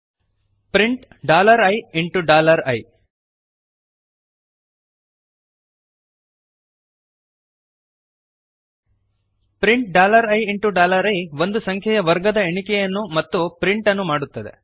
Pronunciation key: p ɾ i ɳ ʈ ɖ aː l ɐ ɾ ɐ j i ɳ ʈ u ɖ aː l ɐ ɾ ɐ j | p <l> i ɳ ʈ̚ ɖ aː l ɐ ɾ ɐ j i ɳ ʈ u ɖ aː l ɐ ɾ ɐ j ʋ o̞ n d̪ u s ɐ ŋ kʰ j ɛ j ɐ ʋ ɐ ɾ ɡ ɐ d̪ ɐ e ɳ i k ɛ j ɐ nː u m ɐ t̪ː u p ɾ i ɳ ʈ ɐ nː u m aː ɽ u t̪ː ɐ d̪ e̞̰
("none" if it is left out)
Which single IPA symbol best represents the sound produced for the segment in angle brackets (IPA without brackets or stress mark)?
ɾ